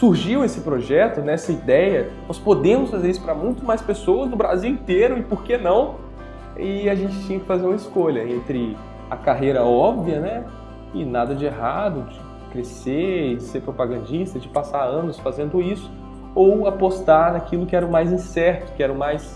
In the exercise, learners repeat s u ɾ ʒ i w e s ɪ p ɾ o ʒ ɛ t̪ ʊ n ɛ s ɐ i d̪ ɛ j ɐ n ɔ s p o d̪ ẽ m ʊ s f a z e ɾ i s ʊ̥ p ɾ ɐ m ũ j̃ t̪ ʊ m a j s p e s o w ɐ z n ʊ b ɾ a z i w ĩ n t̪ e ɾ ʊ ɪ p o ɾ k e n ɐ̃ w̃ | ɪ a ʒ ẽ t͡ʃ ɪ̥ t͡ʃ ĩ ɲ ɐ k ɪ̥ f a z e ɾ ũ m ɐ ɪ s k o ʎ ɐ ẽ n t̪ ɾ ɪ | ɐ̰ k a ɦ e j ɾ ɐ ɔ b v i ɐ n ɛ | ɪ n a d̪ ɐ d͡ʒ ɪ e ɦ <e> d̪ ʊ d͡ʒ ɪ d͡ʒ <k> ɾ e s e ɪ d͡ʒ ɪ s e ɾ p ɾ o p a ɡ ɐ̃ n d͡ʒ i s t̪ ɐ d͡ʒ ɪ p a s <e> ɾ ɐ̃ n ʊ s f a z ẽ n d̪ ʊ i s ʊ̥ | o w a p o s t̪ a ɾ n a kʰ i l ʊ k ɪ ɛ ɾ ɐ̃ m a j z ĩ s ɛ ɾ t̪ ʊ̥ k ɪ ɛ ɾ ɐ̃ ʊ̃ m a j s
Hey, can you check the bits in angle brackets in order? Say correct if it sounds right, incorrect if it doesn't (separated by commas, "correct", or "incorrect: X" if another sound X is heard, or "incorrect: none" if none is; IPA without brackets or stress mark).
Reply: incorrect: a, correct, incorrect: a